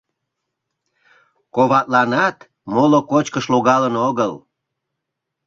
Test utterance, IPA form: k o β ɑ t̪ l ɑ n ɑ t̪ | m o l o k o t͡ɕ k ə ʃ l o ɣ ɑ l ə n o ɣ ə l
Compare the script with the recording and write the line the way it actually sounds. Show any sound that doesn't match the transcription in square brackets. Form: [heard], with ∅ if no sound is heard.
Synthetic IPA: k o β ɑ t̪ l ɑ n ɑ t̪ | m o l o k o t͡ɕ k ə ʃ l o ɣ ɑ l ə n o ɣ ə l